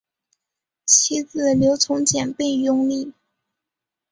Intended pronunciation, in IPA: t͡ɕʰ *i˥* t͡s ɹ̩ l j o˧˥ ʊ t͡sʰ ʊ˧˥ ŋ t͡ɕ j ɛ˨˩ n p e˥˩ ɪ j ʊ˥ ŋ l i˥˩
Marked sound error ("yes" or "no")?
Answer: no